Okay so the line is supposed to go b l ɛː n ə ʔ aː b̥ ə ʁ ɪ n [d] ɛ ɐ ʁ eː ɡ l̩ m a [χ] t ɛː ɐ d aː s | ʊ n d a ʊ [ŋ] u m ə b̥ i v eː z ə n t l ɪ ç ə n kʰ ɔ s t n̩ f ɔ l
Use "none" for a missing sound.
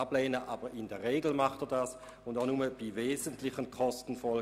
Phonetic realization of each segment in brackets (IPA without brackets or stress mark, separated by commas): d, χ, n